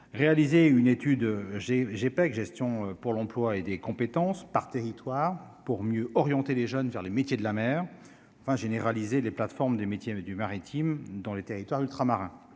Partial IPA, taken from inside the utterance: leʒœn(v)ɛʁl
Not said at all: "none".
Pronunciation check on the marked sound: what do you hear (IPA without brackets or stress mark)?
v